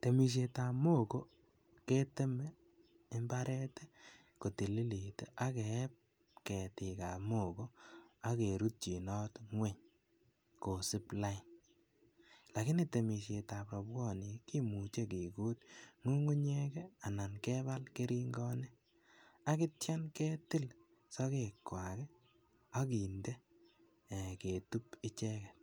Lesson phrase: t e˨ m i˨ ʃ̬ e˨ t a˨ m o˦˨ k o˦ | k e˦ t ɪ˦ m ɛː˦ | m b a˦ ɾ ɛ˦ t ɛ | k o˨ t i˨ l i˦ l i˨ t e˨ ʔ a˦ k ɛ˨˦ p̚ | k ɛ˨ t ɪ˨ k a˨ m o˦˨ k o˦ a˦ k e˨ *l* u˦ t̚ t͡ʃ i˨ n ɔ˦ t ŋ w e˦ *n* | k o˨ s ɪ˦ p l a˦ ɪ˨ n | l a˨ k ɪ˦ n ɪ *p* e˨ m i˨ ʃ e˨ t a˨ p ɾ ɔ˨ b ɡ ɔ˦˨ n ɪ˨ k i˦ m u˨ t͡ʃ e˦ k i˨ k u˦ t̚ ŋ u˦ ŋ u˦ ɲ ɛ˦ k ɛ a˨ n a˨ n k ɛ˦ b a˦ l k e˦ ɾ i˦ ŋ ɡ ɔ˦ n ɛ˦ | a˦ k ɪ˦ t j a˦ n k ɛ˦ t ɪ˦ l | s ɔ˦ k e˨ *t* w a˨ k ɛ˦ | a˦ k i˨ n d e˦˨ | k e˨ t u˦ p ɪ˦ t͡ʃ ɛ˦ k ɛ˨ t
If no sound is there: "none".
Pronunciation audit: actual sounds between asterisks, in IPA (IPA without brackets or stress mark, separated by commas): ɾ, ɲ, t, k